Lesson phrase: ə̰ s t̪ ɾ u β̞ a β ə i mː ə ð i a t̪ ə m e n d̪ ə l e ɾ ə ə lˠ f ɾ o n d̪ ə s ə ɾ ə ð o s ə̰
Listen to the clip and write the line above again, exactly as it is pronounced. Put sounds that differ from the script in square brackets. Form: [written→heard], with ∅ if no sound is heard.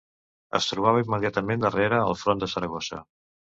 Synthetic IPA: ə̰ s t̪ ɾ u β̞ a β ə i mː ə ð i a t̪ ə m e n d̪ ə [l→r] e ɾ ə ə lˠ f ɾ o n d̪ ə s ə ɾ ə [ð→ɣ] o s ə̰